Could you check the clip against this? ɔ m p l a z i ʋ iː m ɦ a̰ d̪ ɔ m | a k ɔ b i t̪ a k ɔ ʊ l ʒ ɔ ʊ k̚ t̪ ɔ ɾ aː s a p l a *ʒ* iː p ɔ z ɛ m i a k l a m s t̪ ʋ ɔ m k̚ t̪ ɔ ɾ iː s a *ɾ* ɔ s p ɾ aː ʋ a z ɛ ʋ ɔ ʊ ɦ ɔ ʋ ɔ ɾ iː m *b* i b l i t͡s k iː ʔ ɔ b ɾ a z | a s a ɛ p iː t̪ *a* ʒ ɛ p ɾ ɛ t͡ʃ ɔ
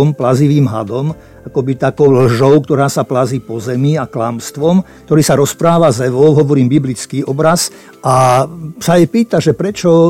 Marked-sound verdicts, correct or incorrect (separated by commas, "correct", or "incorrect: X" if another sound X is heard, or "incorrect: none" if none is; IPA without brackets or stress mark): incorrect: z, correct, correct, correct